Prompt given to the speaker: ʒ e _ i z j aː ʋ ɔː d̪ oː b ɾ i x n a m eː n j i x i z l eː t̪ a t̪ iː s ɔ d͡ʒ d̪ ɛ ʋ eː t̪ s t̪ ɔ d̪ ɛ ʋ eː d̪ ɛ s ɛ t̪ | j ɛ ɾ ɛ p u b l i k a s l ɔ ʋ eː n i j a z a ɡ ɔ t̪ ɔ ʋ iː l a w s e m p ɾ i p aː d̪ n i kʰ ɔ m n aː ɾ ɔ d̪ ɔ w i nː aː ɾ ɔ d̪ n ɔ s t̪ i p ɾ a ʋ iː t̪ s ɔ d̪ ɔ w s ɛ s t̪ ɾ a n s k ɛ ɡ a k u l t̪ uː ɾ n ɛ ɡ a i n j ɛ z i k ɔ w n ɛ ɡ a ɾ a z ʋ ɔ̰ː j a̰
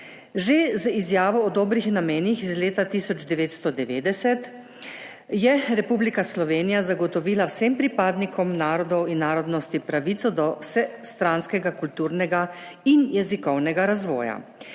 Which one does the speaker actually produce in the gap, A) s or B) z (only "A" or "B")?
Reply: B